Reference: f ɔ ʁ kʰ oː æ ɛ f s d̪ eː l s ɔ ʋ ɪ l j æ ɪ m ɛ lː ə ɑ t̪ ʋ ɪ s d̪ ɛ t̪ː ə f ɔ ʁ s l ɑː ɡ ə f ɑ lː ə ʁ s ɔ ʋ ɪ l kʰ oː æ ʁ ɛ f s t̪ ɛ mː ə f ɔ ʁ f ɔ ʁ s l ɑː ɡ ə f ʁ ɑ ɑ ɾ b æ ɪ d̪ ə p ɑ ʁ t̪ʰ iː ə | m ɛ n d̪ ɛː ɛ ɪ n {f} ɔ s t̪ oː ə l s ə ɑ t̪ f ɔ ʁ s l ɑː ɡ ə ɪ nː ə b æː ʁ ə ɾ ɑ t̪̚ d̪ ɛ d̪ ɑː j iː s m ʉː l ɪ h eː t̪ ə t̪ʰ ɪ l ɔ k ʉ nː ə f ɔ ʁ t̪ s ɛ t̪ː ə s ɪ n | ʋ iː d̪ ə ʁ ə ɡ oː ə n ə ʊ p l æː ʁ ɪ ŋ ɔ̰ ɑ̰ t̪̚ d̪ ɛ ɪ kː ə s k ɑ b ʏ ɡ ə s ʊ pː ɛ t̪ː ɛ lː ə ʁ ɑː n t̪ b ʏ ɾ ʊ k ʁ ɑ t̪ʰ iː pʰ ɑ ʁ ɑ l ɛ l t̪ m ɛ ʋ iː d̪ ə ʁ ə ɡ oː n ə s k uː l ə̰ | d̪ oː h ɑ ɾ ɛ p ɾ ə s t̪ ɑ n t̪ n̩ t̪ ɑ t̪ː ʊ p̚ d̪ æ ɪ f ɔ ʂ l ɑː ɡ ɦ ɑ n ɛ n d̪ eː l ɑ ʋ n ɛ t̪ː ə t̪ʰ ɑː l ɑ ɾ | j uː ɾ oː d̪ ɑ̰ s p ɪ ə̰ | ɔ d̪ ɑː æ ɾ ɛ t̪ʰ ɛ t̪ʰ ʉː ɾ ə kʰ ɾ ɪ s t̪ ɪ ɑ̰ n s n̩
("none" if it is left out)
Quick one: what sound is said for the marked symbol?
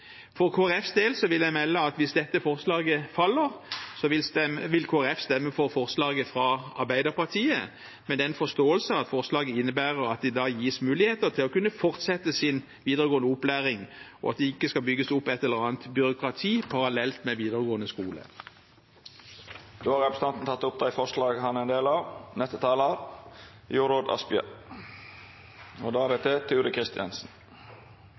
f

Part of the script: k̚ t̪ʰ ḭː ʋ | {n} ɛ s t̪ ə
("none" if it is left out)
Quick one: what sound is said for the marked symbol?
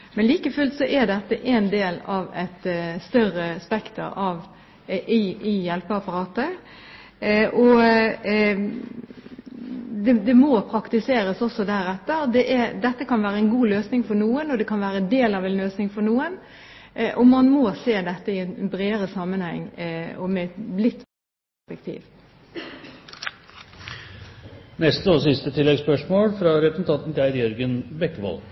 n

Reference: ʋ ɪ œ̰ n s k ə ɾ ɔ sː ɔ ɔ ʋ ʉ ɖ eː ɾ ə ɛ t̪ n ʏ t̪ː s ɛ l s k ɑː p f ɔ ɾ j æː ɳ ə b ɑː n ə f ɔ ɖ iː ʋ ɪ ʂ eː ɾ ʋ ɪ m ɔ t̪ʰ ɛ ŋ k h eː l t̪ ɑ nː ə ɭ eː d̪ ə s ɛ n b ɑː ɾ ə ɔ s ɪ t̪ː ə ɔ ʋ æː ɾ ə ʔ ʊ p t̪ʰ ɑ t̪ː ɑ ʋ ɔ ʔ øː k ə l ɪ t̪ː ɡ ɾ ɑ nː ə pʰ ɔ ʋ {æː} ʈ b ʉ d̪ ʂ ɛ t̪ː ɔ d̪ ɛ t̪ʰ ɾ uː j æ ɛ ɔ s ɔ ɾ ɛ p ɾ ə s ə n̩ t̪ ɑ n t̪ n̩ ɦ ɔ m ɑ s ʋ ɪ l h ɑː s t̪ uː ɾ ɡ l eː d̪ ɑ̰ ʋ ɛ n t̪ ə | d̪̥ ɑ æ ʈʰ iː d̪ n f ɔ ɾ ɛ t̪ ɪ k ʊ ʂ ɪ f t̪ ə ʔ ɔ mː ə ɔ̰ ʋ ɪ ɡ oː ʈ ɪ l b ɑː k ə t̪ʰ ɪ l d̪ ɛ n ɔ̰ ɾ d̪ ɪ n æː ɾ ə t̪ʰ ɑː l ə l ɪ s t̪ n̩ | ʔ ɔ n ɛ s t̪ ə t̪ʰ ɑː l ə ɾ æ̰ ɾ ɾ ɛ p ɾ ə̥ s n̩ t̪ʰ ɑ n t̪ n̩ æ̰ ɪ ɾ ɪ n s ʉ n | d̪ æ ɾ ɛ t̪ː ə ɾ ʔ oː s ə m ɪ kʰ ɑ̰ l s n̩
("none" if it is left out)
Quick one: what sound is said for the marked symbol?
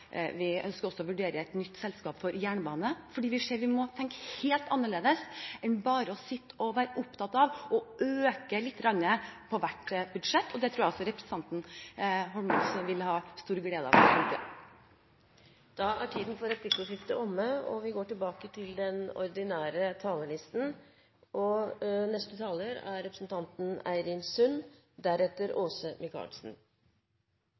æ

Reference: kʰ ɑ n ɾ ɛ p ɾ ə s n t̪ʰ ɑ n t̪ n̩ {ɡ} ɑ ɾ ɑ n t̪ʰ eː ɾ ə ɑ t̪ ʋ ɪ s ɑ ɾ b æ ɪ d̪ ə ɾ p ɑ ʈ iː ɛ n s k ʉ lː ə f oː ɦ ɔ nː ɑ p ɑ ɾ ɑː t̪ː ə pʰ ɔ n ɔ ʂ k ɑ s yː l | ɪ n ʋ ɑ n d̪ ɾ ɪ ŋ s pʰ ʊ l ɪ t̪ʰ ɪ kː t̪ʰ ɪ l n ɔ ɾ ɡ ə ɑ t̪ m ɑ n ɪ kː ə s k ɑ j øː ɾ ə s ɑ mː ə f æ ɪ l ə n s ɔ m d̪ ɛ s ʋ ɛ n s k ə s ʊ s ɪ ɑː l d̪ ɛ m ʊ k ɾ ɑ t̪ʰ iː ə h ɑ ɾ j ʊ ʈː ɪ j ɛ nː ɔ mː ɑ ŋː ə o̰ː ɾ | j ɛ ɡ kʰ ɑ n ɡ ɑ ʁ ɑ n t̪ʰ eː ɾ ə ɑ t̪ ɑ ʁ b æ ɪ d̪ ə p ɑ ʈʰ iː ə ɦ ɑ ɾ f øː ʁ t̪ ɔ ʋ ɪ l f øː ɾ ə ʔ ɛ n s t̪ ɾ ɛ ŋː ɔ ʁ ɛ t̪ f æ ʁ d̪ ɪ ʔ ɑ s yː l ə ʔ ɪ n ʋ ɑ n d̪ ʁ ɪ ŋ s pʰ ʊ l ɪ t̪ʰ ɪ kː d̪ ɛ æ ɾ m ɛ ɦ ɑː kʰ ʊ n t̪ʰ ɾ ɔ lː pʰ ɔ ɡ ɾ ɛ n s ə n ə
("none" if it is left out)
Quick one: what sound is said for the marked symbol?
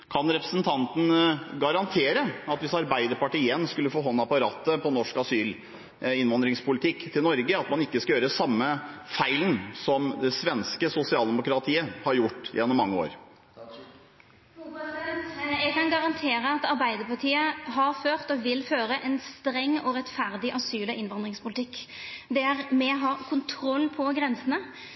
ɡ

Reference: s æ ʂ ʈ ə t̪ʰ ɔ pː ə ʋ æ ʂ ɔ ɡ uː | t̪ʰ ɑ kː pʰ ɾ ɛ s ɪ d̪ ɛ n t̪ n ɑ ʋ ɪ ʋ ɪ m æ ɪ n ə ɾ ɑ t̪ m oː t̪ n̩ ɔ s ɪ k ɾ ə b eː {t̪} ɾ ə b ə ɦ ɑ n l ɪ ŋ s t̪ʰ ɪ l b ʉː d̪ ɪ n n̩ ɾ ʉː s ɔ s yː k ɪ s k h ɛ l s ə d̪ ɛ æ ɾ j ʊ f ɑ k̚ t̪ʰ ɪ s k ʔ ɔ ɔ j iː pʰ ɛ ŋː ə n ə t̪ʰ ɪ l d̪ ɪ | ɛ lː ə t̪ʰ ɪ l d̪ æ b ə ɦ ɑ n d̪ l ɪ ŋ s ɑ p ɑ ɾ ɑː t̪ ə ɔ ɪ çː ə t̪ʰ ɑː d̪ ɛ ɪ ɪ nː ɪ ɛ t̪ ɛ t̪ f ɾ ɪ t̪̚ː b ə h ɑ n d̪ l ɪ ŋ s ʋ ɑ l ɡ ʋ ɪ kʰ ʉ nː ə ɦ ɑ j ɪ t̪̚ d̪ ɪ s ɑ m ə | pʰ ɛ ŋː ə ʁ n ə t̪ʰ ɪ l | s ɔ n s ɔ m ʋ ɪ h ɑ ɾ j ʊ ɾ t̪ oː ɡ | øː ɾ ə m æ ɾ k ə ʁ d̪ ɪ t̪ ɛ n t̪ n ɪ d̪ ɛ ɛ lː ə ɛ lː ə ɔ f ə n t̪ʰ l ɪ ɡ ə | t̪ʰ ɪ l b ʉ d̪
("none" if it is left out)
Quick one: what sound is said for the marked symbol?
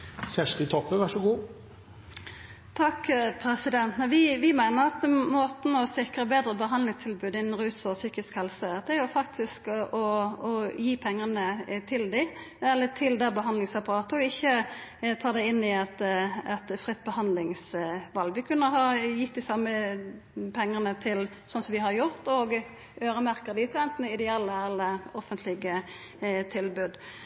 d̪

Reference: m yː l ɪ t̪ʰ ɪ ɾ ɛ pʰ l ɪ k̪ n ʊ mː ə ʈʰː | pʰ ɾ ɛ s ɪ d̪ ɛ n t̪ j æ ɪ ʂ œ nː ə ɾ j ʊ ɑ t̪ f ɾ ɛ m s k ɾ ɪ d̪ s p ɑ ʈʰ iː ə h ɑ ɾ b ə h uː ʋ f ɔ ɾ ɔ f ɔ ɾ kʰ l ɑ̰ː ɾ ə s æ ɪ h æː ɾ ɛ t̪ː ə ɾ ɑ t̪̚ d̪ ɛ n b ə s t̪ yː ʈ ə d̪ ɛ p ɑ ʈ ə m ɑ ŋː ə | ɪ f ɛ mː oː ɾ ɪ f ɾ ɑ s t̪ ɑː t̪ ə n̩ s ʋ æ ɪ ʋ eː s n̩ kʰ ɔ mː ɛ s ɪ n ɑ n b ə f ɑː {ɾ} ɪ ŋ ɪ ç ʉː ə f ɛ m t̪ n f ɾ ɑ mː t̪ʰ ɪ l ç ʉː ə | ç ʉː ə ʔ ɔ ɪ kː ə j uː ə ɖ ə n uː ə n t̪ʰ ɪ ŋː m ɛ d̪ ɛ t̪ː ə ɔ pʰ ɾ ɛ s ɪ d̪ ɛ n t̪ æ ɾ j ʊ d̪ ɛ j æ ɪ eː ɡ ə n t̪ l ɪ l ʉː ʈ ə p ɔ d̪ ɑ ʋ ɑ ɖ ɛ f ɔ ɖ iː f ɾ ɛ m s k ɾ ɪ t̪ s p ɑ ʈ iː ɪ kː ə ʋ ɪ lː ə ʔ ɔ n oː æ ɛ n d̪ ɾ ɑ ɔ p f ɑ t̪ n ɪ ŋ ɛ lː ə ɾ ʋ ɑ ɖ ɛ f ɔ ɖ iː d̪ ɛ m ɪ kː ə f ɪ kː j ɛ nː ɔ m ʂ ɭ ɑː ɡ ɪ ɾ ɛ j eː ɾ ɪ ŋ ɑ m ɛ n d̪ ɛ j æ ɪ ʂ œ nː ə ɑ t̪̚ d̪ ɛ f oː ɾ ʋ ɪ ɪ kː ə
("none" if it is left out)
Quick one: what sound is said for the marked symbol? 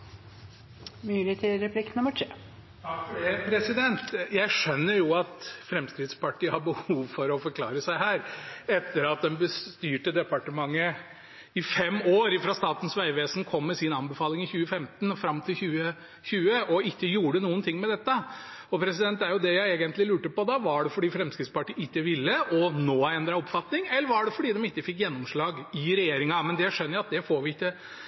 l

